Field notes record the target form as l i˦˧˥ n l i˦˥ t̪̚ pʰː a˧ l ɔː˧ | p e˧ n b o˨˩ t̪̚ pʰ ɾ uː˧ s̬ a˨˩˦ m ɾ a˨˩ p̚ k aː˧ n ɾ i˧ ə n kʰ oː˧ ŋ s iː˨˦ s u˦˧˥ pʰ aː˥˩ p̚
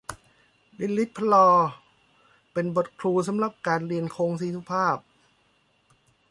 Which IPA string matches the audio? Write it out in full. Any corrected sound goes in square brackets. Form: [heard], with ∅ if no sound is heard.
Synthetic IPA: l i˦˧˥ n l i˦˥ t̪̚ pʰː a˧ l ɔː˧ | p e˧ n b o˨˩ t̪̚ [kʰ] ɾ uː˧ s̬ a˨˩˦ m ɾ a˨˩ p̚ k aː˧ n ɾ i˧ ə n kʰ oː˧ ŋ s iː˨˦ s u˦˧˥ pʰ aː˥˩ p̚